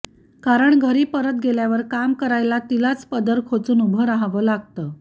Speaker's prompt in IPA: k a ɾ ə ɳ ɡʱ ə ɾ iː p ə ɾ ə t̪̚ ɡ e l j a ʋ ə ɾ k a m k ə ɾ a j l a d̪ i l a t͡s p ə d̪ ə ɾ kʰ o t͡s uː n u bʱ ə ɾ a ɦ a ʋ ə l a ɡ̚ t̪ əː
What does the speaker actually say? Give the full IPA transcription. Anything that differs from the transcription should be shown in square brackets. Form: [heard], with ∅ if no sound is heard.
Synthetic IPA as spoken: k a ɾ ə ɳ ɡʱ ə ɾ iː p ə ɾ ə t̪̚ ɡ e l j a ʋ ə ɾ k a m k ə ɾ a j l a [t̪] i l a t͡s p ə d̪ ə ɾ kʰ o t͡s uː n u bʱ ə ɾ a ɦ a ʋ ə l a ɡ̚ t̪ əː